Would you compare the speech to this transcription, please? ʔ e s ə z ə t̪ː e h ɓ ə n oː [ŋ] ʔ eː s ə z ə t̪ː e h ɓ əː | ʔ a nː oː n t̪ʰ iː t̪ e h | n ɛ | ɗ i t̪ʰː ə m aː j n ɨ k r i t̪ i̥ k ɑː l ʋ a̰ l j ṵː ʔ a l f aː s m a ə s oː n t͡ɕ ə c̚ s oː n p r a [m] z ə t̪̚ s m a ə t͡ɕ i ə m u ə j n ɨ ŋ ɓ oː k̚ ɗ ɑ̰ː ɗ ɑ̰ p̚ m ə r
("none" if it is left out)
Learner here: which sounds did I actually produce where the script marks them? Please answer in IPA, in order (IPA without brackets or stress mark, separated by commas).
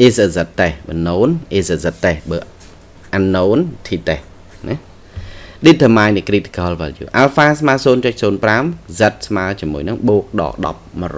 n, m